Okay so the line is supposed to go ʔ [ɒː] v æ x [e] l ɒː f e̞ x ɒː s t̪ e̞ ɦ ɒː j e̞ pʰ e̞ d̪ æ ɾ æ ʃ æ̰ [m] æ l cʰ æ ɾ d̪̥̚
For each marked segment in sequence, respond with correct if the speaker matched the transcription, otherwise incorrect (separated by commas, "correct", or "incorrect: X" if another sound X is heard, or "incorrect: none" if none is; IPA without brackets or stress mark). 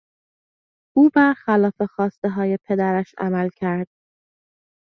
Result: incorrect: uː, incorrect: æ, correct